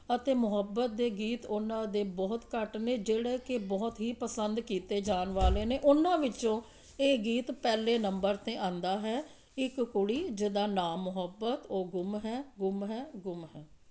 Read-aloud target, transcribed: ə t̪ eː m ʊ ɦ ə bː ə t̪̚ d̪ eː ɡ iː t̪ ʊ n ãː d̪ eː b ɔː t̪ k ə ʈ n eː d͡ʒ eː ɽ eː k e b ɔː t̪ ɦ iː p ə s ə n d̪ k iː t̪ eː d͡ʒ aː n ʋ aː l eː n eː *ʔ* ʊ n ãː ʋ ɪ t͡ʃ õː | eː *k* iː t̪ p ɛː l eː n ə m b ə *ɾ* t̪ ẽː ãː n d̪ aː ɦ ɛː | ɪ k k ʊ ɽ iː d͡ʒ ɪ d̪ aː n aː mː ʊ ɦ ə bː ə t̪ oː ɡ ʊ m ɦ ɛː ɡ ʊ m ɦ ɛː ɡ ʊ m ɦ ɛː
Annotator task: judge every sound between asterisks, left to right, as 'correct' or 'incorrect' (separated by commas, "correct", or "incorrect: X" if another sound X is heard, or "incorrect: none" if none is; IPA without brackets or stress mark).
correct, incorrect: ɡ, correct